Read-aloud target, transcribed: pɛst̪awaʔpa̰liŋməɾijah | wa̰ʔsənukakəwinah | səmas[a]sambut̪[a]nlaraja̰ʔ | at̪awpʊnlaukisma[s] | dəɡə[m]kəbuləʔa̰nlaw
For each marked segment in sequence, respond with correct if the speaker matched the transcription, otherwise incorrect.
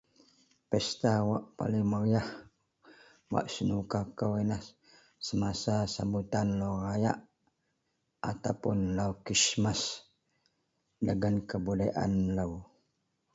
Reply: correct, correct, correct, incorrect

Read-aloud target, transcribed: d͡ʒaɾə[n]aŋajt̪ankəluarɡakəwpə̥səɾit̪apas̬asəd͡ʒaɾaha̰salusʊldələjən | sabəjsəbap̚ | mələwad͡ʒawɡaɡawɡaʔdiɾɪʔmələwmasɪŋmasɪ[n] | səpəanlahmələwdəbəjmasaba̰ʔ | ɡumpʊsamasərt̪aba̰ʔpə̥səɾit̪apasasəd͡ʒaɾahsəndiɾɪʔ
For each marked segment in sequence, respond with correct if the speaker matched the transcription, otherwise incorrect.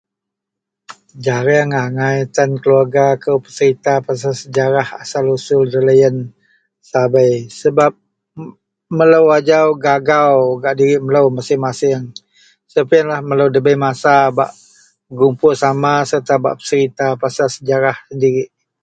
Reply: incorrect, incorrect

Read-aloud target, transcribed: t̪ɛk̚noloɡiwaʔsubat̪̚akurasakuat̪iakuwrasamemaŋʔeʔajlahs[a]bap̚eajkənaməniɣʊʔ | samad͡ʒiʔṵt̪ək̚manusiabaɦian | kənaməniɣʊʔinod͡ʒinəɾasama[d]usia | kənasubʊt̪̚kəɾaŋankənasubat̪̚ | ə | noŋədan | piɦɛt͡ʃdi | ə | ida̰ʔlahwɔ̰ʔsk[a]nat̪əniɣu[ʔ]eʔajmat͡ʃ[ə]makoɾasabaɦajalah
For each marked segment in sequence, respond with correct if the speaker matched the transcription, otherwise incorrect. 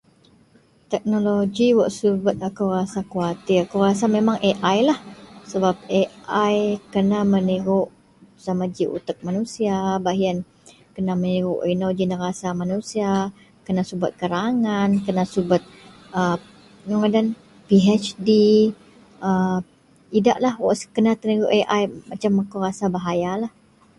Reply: incorrect, incorrect, incorrect, correct, incorrect

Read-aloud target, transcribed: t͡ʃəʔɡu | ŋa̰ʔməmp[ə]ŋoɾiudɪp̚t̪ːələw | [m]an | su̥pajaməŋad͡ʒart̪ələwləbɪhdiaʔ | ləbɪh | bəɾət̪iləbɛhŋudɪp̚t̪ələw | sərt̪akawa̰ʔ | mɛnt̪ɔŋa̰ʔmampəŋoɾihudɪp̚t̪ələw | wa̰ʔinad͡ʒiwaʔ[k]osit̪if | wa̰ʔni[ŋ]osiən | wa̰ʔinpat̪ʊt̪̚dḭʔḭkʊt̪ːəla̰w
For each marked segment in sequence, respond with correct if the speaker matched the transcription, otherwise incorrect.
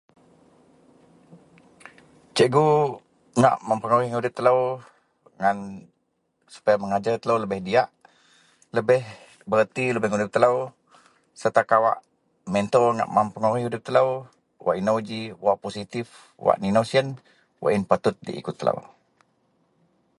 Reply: correct, incorrect, incorrect, incorrect

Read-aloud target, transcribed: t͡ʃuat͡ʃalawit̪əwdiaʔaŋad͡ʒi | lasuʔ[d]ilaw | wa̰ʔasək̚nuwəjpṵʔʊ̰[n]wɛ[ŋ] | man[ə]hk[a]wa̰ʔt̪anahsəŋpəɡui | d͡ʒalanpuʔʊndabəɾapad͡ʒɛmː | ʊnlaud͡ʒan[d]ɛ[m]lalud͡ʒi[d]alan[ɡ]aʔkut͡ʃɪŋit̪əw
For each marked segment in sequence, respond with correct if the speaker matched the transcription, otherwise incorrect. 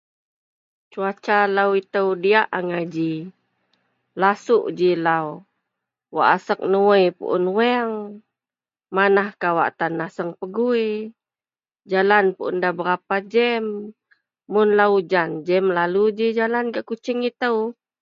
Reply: incorrect, correct, correct, incorrect, correct, incorrect, correct, incorrect, correct

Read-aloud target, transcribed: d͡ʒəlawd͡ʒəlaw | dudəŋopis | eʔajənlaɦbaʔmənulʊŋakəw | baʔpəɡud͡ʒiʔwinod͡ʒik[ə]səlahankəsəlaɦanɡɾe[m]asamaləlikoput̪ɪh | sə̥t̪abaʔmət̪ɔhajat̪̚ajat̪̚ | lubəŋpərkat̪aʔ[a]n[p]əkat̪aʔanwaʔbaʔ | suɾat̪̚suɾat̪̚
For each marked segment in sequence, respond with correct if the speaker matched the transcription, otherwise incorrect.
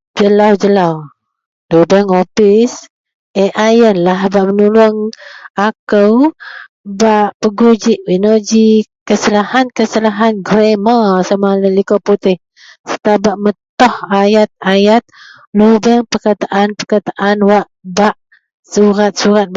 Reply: correct, correct, correct, correct

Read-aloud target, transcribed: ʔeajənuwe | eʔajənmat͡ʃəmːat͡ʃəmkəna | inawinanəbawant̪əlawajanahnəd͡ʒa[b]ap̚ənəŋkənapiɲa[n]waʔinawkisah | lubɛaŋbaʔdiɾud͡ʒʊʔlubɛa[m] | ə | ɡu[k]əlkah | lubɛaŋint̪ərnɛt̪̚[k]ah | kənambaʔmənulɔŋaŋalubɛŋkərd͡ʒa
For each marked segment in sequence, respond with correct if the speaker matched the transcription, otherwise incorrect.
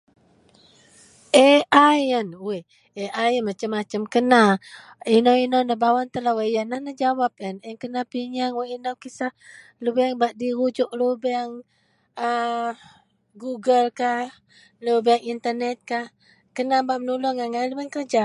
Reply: incorrect, incorrect, incorrect, incorrect, correct

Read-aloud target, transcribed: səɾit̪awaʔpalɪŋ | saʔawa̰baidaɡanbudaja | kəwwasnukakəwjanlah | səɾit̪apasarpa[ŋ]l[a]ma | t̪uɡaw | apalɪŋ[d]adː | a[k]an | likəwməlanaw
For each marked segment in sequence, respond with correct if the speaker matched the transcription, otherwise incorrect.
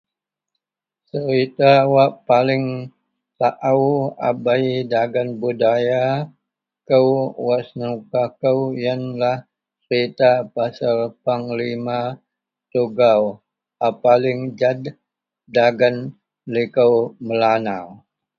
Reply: correct, incorrect, incorrect, incorrect

